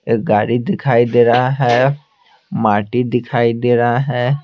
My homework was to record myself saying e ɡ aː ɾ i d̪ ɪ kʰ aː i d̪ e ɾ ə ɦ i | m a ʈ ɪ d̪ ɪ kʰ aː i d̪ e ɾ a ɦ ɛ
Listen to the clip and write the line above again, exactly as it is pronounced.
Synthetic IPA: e ɡ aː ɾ i d̪ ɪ kʰ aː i d̪ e ɾ a ɦ ɛ | m a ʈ i d̪ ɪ kʰ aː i d̪ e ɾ a ɦ ɛ